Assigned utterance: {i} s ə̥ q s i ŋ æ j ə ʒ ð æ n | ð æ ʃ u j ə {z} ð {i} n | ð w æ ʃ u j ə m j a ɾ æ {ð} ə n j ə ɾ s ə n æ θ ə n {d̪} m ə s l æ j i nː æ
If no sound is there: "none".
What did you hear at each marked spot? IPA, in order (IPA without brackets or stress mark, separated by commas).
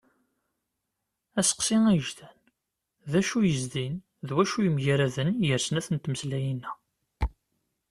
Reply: æ, z, i, ð, t̪